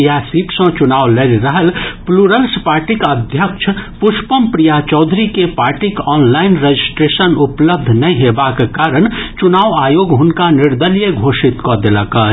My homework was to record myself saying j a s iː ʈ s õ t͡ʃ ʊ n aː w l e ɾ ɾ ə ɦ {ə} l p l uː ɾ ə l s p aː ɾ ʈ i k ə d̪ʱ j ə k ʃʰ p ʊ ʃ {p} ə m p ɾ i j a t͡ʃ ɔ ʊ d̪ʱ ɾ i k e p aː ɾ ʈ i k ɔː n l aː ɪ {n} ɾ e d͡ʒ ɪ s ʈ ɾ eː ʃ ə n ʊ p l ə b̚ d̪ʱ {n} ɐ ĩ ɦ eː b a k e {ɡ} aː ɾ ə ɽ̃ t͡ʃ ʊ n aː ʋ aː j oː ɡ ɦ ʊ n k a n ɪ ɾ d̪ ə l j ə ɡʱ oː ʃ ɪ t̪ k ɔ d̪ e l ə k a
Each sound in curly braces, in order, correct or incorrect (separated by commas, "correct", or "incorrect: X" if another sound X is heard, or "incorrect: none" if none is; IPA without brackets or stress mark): correct, correct, correct, correct, incorrect: k